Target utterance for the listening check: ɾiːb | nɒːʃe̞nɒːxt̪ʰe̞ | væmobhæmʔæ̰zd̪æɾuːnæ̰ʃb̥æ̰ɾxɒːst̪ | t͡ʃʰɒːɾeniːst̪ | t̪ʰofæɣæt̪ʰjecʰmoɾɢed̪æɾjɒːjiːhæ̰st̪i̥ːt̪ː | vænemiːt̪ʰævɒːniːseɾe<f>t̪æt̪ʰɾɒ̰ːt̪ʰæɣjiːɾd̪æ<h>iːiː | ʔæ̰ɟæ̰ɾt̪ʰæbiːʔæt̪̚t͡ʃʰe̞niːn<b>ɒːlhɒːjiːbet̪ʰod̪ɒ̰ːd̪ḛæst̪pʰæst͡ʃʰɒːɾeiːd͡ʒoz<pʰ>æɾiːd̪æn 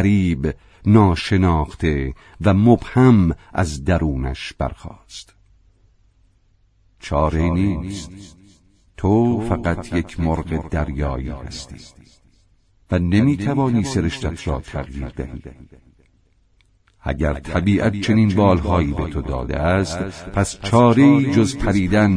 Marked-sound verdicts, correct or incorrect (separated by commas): incorrect, correct, correct, correct